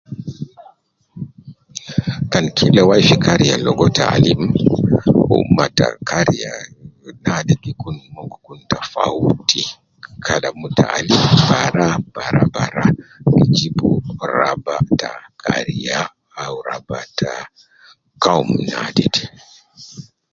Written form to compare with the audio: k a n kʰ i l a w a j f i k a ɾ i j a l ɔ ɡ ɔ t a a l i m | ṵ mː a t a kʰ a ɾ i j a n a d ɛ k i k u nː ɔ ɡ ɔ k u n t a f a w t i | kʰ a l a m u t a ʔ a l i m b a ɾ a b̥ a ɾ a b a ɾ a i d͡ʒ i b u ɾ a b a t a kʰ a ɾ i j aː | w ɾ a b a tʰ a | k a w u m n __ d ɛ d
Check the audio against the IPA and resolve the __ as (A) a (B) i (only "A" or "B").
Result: A